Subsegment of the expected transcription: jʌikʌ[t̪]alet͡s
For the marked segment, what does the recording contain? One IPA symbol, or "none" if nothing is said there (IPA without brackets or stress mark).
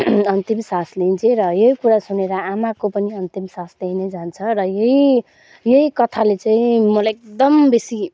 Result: t̪ʰ